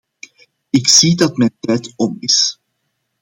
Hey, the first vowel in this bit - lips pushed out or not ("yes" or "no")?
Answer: no